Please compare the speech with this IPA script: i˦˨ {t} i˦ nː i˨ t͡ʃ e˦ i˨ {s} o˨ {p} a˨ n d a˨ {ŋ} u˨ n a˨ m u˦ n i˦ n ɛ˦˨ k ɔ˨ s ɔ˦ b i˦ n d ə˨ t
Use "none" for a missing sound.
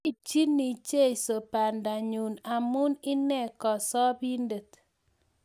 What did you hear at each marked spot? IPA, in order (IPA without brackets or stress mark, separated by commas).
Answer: t͡ʃ, s, p, ɲ